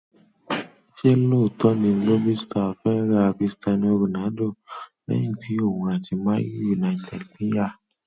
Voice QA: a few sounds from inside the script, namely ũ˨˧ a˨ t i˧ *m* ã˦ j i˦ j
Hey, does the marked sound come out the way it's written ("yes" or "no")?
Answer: yes